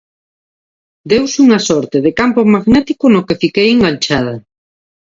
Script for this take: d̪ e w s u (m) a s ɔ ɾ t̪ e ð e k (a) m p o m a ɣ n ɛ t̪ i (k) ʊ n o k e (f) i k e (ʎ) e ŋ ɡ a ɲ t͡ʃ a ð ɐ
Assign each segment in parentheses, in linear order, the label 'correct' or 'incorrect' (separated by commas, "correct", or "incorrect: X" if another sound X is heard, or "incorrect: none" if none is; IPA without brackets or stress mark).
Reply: incorrect: ŋ, correct, correct, correct, incorrect: j